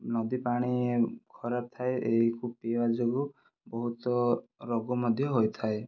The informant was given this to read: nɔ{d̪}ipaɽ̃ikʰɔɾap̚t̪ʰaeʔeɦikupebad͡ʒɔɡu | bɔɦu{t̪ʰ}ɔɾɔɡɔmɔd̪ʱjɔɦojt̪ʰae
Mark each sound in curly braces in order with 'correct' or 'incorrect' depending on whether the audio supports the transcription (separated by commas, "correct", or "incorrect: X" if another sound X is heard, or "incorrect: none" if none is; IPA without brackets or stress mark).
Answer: correct, incorrect: t̪